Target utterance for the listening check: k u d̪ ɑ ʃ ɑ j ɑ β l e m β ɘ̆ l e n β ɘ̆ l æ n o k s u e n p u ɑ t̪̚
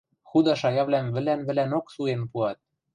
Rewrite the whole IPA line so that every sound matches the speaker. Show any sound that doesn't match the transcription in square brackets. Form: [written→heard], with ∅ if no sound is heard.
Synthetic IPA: [k→x] u d̪ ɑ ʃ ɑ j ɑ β l [e→æ] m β ɘ̆ l [e→æ] n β ɘ̆ l æ n o k s u e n p u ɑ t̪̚